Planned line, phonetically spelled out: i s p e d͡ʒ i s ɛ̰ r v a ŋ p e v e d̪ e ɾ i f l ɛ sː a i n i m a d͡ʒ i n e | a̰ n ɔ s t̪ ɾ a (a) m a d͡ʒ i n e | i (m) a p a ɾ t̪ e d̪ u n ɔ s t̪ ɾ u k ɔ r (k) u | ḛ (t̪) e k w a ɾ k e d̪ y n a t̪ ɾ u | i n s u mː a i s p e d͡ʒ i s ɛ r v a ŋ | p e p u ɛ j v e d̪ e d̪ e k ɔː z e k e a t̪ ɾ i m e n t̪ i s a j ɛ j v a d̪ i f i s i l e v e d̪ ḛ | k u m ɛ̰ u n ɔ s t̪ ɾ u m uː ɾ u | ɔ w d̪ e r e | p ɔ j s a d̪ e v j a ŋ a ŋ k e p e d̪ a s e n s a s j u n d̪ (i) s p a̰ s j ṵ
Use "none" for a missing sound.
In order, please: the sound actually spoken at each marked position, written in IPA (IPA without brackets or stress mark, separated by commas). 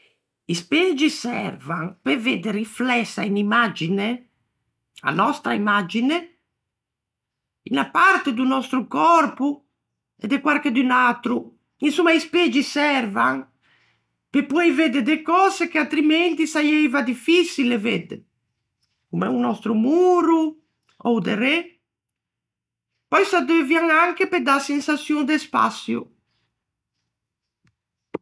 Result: i, n, p, d̪, e